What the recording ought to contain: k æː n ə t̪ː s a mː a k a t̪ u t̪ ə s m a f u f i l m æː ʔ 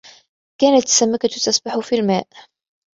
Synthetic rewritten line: k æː n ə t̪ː s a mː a k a t̪ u t̪ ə s b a ħ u f i l m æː ʔ